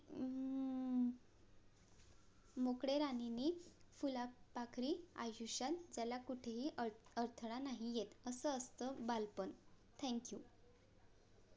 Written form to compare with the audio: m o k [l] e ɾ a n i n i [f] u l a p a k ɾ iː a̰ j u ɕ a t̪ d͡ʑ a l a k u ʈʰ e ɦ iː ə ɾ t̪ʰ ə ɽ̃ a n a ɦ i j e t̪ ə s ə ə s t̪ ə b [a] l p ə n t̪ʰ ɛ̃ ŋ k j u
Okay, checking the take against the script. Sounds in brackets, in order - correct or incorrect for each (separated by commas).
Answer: incorrect, correct, correct